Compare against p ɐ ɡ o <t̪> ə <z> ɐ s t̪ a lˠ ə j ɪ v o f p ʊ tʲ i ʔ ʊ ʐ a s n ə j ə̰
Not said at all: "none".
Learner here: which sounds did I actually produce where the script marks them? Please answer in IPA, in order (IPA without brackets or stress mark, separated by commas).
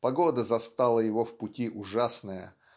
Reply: d̪, z